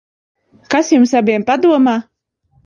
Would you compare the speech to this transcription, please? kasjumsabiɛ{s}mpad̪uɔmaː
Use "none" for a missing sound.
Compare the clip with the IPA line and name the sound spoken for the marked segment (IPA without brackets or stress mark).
none